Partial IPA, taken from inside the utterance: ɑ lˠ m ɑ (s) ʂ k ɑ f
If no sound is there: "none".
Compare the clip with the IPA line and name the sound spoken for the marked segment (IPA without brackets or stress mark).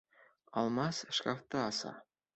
s